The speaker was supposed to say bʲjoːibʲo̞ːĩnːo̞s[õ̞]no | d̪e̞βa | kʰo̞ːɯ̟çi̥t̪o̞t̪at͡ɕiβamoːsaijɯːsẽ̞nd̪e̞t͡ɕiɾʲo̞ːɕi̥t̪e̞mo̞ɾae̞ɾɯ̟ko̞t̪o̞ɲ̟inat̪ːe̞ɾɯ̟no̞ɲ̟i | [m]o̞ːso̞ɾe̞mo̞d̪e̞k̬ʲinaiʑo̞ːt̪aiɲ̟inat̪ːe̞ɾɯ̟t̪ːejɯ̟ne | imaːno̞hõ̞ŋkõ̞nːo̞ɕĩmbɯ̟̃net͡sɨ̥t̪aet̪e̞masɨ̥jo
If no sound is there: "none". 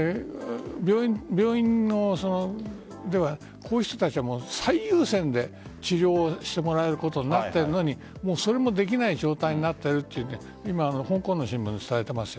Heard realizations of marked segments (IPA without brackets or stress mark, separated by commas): o̞, m